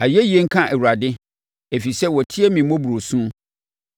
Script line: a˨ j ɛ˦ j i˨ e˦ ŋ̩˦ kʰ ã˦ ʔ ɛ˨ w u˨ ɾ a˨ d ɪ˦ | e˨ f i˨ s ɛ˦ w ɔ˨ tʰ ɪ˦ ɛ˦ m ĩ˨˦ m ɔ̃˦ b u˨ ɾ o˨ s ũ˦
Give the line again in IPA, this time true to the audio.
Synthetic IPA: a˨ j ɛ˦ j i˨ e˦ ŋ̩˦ kʰ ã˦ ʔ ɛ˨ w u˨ ɾ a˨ d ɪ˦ | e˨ f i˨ s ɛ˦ w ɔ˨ tʰ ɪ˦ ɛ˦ m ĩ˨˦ m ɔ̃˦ b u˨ ɾ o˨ s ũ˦